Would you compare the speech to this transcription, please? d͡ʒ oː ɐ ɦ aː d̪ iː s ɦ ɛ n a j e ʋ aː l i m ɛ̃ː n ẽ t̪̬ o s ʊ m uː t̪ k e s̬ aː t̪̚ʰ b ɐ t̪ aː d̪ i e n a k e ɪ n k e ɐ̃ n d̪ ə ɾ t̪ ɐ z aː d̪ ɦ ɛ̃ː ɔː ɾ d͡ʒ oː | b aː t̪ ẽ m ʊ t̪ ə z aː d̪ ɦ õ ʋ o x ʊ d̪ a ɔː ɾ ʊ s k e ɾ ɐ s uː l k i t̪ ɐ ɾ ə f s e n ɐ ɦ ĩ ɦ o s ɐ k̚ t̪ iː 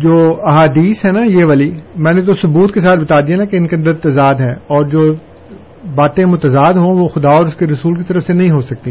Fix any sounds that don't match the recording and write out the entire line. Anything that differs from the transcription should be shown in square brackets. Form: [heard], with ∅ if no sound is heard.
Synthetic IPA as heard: d͡ʒ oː ɐ ɦ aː d̪ iː s ɦ ɛ n a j e ʋ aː l i m ɛ̃ː n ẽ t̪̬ o s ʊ [b] uː t̪ k e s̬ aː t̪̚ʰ b ɐ t̪ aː d̪ i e n a k e ɪ n k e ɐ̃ n d̪ ə ɾ t̪ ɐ z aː d̪ ɦ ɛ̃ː ɔː ɾ d͡ʒ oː | b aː t̪ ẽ m ʊ t̪ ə z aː d̪ ɦ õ ʋ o x ʊ d̪ a ɔː ɾ ʊ s k e ɾ ɐ s uː l k i t̪ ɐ ɾ ə f s e n ɐ ɦ ĩ ɦ o s ɐ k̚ t̪ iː